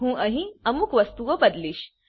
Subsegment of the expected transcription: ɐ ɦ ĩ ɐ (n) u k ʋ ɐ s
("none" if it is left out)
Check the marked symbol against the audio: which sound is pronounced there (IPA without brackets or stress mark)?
m